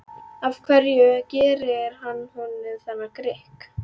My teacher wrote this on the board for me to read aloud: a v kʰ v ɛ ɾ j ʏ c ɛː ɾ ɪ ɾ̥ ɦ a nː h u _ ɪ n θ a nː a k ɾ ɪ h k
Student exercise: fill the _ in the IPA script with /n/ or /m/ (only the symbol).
n